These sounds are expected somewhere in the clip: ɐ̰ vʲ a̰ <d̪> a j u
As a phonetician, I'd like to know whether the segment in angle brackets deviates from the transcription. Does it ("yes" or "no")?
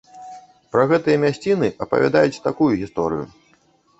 no